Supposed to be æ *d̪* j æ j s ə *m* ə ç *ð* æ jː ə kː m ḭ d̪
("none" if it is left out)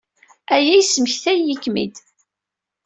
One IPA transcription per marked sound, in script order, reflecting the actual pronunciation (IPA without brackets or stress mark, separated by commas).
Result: none, m, θ